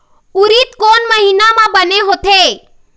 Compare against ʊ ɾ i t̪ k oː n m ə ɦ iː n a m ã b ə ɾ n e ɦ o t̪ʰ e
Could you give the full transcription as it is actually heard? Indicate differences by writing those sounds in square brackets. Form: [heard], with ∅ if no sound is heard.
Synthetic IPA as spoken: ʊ ɾ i t̪ k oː n m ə ɦ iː n a m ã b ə [∅] n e ɦ o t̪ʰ e